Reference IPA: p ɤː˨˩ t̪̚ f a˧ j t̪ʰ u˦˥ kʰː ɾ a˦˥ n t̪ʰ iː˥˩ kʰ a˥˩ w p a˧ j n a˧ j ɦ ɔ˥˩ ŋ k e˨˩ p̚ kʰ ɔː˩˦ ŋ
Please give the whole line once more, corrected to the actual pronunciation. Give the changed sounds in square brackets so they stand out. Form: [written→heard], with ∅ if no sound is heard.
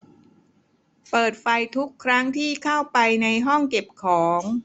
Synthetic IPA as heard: p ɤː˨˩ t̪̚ f a˧ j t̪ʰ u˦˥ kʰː ɾ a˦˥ [n→ŋ] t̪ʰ iː˥˩ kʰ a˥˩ w p a˧ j n a˧ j ɦ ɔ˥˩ ŋ k e˨˩ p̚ kʰ ɔː˩˦ ŋ